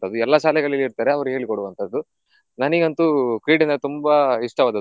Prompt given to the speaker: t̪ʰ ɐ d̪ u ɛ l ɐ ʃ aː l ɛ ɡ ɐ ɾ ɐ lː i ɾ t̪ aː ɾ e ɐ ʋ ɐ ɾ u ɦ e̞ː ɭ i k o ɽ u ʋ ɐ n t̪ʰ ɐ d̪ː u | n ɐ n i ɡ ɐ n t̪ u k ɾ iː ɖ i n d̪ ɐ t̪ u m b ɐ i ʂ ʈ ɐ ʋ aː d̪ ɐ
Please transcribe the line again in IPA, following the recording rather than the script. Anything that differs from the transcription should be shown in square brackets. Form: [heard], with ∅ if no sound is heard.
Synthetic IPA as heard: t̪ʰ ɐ d̪ u ɛ [lː] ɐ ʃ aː l ɛ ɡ ɐ [ɭ] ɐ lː i ɾ t̪ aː ɾ e ɐ ʋ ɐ ɾ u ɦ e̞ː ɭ i k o ɽ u ʋ ɐ n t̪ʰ ɐ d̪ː u | n ɐ n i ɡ ɐ n t̪ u k ɾ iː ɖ i n d̪ ɐ t̪ u m b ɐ i ʂ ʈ ɐ ʋ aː d̪ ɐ